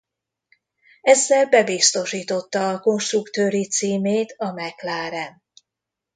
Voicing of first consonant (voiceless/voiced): voiced